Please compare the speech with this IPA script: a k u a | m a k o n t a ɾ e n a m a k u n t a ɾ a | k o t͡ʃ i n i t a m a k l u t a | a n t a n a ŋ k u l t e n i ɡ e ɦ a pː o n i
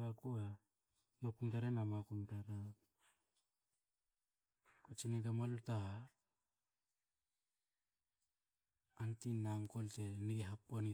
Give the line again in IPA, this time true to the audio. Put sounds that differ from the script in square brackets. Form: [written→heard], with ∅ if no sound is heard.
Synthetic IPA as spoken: a k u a | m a k [o→u] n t a ɾ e n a m a k u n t a ɾ a | k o t͡ʃ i n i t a m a [k→∅] l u t a | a n t [a→i] n a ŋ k [u→o] l t e n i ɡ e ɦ a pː o n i